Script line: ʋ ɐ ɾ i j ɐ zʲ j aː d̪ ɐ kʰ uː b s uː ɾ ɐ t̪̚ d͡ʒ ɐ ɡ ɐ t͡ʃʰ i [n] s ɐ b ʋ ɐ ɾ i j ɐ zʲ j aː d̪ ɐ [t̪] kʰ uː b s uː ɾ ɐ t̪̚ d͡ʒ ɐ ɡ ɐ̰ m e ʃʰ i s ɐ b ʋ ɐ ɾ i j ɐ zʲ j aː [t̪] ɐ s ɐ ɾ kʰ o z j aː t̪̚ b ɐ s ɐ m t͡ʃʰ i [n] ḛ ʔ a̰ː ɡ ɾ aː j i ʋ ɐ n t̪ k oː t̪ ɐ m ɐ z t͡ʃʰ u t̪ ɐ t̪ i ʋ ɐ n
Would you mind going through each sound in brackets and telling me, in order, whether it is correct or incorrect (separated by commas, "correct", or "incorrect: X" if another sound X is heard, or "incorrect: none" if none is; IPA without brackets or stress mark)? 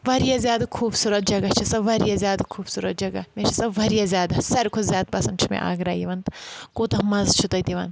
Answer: incorrect: none, incorrect: none, incorrect: d̪, incorrect: m